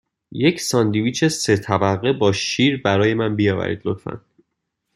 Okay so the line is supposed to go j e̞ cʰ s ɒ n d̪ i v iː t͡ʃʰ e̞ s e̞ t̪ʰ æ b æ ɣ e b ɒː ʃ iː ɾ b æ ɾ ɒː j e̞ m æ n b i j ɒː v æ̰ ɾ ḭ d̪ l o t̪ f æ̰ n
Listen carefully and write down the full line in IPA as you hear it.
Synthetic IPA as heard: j e̞ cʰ s ɒ n d̪ i v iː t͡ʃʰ e̞ s e̞ t̪ʰ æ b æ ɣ e b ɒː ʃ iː ɾ b æ ɾ ɒː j e̞ m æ n b i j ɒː v æ̰ ɾ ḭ d̪ l o t̪ f æ̰ n